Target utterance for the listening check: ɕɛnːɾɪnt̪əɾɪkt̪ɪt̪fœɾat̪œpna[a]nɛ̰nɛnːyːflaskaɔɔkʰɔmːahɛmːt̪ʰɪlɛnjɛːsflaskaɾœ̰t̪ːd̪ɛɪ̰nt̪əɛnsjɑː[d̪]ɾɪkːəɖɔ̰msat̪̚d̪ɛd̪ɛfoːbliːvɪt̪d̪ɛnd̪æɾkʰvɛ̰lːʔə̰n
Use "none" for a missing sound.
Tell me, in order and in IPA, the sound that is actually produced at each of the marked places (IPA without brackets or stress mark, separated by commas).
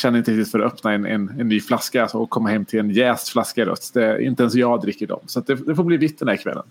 ɛ, d̪